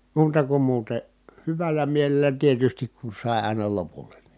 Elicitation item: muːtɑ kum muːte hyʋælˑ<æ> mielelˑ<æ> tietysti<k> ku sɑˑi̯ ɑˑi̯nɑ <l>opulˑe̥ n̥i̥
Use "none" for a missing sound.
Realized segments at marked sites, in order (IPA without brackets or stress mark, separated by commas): æ, æ, k, l